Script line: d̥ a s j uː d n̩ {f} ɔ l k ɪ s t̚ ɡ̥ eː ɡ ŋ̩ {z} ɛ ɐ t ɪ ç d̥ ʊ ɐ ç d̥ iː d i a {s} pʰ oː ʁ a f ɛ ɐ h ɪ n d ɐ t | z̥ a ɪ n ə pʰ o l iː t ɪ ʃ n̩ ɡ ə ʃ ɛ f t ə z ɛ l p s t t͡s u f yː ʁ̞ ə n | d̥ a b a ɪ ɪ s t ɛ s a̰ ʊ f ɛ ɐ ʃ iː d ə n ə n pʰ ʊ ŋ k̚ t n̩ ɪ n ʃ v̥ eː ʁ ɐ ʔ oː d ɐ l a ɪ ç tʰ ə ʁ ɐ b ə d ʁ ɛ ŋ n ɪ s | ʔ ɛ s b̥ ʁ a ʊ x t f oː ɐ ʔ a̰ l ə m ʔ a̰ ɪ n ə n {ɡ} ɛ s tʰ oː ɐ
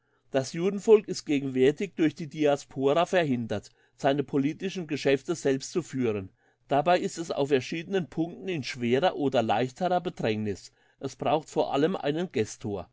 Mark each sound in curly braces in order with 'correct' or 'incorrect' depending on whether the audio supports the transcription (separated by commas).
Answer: correct, incorrect, correct, correct